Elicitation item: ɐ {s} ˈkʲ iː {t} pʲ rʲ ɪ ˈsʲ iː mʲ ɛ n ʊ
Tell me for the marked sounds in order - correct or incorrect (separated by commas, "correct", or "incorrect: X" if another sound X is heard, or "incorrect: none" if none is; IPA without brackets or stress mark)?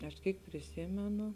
incorrect: ʃ, incorrect: k